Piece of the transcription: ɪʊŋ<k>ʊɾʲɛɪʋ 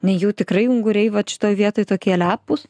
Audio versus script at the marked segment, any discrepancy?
yes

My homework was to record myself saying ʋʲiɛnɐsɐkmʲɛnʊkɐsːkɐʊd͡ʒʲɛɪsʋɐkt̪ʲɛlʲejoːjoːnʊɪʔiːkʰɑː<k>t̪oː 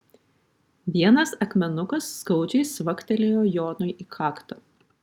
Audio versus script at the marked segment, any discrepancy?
no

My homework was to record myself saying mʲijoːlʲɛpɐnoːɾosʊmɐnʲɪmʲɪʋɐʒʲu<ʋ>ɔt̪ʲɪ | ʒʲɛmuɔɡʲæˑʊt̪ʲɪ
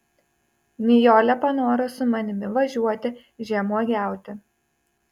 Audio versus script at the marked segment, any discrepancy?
yes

